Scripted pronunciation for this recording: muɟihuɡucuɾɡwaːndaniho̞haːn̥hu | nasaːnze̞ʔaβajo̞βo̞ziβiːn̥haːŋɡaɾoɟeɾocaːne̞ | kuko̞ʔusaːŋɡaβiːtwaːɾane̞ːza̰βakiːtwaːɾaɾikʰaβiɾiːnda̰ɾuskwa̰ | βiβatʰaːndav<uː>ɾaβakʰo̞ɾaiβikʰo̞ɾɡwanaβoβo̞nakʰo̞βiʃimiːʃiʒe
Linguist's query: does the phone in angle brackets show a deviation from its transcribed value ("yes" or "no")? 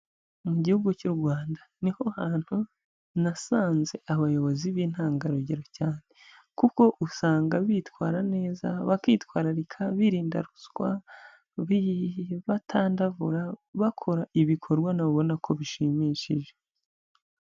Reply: yes